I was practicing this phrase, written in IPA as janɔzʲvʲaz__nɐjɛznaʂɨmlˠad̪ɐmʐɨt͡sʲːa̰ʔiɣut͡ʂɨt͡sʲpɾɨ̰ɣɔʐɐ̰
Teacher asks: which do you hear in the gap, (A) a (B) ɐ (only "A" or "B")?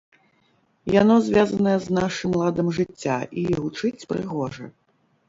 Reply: B